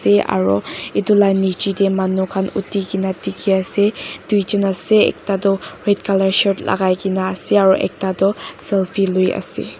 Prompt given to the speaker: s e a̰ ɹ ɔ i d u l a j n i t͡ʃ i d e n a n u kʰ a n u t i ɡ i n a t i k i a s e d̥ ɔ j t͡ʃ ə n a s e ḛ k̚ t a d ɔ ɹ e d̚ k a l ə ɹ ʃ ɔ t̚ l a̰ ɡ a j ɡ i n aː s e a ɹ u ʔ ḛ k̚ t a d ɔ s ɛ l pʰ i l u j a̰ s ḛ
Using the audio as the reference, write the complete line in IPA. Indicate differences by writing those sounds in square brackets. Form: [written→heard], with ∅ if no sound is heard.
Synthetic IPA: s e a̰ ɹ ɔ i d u l a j n i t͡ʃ i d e [n→m] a n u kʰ a n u t i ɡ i n a t i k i a s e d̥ [ɔ→u] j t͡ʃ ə n a s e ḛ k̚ t a d ɔ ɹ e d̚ k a l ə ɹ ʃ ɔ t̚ l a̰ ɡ a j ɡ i n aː s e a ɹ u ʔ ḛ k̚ t a d ɔ s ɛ l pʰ i l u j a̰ s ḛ

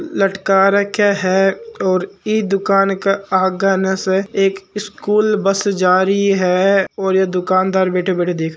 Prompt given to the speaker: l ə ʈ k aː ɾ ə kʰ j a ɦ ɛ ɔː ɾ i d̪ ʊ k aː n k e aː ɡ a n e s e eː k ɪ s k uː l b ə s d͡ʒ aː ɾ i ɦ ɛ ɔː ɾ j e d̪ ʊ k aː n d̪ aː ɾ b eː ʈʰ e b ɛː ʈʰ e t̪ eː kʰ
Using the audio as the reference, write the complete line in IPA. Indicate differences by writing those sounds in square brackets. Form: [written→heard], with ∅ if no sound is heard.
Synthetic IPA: l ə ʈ k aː ɾ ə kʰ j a ɦ ɛ ɔː ɾ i d̪ ʊ k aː n k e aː ɡ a n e s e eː k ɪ s k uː l b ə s d͡ʒ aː ɾ i ɦ ɛ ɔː ɾ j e d̪ ʊ k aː n d̪ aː ɾ b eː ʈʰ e b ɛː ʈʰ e [t̪→d̪] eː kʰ

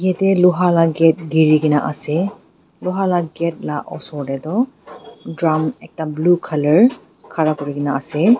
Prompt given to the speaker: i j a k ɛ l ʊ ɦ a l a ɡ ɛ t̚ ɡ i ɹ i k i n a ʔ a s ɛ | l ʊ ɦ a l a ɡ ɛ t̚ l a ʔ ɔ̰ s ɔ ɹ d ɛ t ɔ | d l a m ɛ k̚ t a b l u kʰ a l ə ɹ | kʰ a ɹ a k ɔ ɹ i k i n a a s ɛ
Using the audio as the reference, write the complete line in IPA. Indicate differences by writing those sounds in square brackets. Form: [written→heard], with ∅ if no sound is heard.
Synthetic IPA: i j a [k→t] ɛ l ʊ ɦ a l a ɡ ɛ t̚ ɡ i ɹ i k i n a ʔ a s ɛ | l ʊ ɦ a l a ɡ ɛ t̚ l a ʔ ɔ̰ s ɔ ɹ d ɛ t ɔ | d [l→ɹ] a m ɛ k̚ t a b l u kʰ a l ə ɹ | kʰ a ɹ a k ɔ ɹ i k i n a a s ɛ

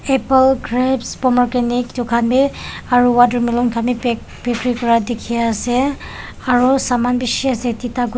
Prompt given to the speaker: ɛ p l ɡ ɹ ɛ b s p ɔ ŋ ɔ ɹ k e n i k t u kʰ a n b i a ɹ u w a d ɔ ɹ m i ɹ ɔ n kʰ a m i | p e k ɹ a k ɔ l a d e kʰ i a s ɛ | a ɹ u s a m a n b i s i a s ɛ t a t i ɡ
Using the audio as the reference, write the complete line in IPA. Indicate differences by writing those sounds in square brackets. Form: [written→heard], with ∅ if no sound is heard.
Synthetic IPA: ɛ p l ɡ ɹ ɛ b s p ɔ [ŋ→m] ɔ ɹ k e n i k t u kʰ a n b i a ɹ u w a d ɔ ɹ m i [ɹ→l] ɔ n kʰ a m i | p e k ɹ [a→i] k ɔ [l→ɹ] a d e kʰ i a s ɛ | a ɹ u s a m a n b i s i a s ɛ t [a→i] t [i→a] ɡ

